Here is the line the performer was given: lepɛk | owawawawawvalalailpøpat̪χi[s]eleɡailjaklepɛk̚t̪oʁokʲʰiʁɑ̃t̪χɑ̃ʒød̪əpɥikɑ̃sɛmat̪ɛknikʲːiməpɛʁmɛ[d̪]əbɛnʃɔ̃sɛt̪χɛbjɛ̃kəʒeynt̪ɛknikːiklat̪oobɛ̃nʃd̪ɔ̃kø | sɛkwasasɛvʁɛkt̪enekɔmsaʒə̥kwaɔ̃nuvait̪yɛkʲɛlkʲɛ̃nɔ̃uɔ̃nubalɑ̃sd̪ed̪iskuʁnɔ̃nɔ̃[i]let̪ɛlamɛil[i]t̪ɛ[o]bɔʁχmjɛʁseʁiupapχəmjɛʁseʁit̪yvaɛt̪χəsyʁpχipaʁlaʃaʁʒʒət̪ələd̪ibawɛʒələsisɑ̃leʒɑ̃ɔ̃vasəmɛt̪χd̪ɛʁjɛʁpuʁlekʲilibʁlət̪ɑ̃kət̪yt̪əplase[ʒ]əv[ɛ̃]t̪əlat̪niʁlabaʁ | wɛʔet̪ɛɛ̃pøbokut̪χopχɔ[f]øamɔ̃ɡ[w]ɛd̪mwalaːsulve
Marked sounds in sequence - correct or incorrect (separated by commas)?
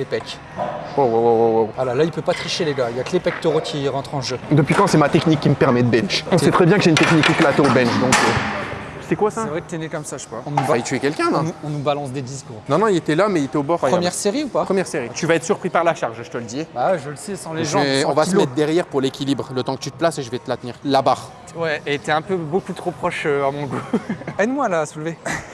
incorrect, correct, correct, incorrect, correct, correct, incorrect, incorrect, incorrect